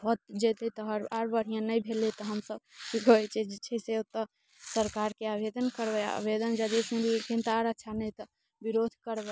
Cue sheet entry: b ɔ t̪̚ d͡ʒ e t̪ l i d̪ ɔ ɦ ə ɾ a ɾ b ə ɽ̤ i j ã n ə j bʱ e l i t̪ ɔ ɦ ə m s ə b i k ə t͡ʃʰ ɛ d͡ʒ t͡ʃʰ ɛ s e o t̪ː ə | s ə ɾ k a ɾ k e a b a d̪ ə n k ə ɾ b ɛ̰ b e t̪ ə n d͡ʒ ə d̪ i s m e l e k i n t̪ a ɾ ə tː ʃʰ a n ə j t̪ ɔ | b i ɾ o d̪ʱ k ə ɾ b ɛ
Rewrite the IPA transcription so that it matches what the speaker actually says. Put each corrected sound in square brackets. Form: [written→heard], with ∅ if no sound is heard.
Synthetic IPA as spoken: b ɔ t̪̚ d͡ʒ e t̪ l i [d̪→t̪] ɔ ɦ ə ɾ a ɾ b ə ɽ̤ i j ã n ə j bʱ e l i t̪ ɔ ɦ ə m s ə b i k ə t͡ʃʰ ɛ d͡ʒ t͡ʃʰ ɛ s e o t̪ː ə | s ə ɾ k a ɾ k e a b [a→e] d̪ ə n k ə ɾ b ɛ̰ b e [t̪→d̪] ə n d͡ʒ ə d̪ i s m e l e k i n t̪ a ɾ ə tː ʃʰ a n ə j t̪ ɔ | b i ɾ o d̪ʱ k ə ɾ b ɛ